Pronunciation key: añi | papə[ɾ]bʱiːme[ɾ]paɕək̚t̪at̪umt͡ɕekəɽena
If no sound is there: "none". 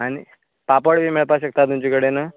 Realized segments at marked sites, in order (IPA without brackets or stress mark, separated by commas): ɽ, ɭ